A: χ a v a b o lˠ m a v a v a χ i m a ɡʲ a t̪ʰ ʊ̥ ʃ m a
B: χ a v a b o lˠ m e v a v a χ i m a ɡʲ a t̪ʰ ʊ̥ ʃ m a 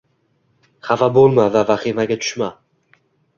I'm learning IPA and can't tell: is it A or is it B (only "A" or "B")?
A